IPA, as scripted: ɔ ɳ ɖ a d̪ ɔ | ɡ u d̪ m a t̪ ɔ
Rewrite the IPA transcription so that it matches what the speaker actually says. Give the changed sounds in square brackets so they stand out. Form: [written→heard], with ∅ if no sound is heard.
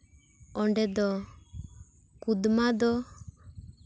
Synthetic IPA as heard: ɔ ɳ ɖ [a→ɛ] d̪ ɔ | [ɡ→k] u d̪ m a [t̪→d̪] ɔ

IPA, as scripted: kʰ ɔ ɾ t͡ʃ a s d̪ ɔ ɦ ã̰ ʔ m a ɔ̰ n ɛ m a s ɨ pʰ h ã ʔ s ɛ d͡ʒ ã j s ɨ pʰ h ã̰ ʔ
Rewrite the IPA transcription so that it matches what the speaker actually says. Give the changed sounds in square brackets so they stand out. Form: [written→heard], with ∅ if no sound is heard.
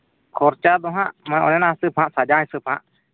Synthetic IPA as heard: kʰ ɔ ɾ t͡ʃ a [s→∅] d̪ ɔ ɦ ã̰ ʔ m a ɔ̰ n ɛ [m→n] a s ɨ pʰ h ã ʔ s [ɛ→a] d͡ʒ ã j s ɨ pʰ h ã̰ ʔ

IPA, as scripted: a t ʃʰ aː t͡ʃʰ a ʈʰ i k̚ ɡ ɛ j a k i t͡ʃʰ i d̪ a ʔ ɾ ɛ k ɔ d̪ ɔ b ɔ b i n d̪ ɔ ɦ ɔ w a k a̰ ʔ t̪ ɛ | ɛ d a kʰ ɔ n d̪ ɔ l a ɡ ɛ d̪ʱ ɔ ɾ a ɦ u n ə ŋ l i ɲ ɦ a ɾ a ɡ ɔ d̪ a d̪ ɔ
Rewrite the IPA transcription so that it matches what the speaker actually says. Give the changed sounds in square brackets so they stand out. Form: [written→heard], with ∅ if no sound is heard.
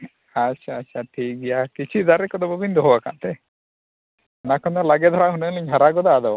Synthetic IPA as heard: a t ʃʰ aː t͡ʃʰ a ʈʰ i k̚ ɡ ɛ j a k i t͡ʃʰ i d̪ a [ʔ→∅] ɾ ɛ k ɔ d̪ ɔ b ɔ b i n d̪ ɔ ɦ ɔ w a k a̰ ʔ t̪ ɛ | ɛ [d→n] a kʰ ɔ n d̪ ɔ l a ɡ ɛ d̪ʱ ɔ ɾ a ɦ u n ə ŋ l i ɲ ɦ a ɾ a ɡ ɔ d̪ a d̪ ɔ

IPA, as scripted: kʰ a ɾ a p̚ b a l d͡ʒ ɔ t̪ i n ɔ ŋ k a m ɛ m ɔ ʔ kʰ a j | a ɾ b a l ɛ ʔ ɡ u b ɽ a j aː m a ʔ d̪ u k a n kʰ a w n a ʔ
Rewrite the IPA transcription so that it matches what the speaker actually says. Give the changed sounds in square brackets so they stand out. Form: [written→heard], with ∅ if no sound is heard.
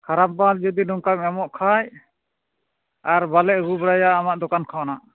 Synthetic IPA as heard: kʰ a ɾ a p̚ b a l d͡ʒ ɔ [t̪→d̪] i n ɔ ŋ k a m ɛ m ɔ ʔ kʰ a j | a ɾ b a l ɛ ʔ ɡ u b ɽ a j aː m a ʔ d̪ [u→ɔ] k a n kʰ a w n a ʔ

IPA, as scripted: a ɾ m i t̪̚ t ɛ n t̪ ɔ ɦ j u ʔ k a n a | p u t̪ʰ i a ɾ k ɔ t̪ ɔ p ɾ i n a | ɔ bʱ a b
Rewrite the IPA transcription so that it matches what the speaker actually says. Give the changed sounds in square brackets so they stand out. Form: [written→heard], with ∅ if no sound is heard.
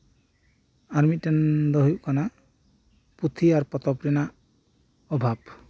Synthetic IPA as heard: a ɾ m i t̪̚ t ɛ n [t̪→d̪] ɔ ɦ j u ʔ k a n a | p u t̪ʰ i a ɾ [k→p] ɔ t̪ ɔ p ɾ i n a | ɔ bʱ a b

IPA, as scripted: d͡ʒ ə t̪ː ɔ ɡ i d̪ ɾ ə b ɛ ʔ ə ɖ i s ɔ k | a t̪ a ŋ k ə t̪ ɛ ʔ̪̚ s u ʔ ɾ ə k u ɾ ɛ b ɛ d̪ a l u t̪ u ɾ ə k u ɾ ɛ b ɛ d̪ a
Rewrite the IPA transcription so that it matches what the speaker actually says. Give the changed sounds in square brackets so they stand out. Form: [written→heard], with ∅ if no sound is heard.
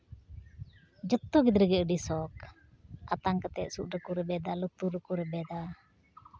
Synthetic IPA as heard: d͡ʒ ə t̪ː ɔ ɡ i d̪ ɾ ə [b→ɡ] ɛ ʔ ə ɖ i s ɔ k | a t̪ a ŋ k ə t̪ ɛ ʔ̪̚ s u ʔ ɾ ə k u ɾ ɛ b ɛ d̪ a l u t̪ u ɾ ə k u ɾ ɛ b ɛ d̪ a

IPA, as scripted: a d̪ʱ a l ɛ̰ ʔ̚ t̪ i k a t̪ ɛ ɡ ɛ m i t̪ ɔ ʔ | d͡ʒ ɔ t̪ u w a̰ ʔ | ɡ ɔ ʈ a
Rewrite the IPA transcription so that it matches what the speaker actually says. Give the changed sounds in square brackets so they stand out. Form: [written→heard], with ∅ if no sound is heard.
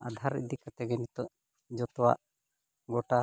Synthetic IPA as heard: a d̪ʱ a [l→ɾ] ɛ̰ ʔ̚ [t̪→d̪] i k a t̪ ɛ ɡ ɛ [m→n] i t̪ ɔ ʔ | d͡ʒ ɔ t̪ [u→ɔ] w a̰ ʔ | ɡ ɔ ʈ a

